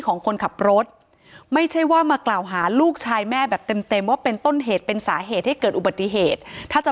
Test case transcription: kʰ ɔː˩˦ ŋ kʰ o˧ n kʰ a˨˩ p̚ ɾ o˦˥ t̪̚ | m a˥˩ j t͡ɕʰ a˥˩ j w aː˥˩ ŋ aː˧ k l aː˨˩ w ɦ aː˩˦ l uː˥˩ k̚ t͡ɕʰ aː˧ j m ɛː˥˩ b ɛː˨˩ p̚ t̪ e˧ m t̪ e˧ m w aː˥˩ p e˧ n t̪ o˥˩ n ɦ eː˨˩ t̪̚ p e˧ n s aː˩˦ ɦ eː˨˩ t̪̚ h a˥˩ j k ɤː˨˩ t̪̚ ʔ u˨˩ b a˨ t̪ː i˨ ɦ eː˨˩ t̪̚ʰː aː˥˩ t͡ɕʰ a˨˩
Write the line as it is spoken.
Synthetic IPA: kʰ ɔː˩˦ ŋ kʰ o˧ n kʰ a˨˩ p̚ ɾ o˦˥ t̪̚ | m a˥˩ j t͡ɕʰ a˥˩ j w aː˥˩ m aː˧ k l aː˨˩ w ɦ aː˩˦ l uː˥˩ k̚ t͡ɕʰ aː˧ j m ɛː˥˩ b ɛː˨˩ p̚ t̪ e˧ m t̪ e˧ m w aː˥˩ p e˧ n t̪ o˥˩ n ɦ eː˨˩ t̪̚ p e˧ n s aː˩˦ ɦ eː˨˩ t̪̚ h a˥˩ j k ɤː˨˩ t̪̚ ʔ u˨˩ b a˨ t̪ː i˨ ɦ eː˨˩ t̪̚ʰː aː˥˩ t͡ɕ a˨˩